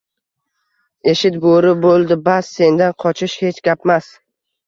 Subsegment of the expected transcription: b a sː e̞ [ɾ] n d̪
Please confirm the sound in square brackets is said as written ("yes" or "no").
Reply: no